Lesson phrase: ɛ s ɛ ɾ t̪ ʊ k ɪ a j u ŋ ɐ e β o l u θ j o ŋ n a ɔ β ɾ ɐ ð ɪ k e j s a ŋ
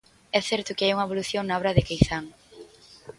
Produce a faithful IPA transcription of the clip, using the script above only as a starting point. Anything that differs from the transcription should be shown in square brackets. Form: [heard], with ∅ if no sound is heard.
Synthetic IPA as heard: ɛ [θ] ɛ ɾ t̪ ʊ k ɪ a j u ŋ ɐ e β o l u θ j o ŋ n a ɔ β ɾ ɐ ð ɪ k e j [θ] a ŋ